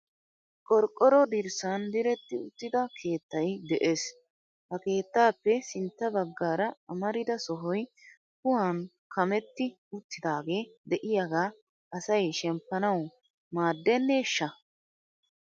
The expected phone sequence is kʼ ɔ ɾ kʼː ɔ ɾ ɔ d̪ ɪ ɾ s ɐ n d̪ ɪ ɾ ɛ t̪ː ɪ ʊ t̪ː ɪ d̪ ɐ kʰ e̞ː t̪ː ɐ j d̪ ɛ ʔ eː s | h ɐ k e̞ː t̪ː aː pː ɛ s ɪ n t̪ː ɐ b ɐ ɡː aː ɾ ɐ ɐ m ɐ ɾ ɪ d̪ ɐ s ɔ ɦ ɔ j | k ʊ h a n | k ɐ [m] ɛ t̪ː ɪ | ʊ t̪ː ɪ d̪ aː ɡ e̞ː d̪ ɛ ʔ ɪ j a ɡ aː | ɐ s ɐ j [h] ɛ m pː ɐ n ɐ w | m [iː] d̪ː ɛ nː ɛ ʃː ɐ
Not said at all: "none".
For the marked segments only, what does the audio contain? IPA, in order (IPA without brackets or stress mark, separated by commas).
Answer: m, ʃ, aː